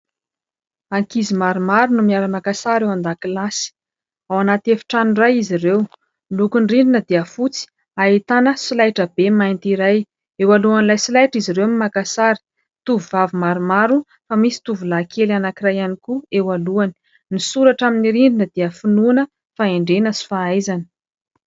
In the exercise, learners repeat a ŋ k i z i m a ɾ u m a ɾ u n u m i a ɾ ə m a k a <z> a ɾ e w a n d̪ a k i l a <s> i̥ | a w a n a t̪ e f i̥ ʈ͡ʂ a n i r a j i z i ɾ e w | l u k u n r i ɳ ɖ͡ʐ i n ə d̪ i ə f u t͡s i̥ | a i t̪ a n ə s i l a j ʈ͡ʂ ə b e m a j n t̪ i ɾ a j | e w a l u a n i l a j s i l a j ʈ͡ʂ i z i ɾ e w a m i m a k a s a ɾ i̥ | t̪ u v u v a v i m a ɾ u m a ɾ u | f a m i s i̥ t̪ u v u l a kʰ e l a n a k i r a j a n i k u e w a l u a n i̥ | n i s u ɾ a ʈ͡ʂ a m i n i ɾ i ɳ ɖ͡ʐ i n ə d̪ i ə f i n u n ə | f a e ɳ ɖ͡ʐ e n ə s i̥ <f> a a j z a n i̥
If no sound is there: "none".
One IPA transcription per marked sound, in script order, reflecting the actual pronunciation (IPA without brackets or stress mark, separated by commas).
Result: s, s, f